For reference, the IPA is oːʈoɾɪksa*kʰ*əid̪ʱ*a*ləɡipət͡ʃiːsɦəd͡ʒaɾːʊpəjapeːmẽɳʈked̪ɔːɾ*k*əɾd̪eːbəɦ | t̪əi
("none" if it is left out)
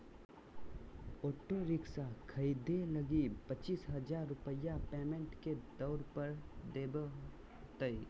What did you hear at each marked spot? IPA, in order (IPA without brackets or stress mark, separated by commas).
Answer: kʰ, e, p